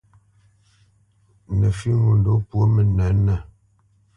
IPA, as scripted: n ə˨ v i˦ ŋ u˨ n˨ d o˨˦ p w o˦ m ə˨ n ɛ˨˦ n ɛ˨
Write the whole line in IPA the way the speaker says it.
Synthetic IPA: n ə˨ f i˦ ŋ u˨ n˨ d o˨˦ p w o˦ m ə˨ n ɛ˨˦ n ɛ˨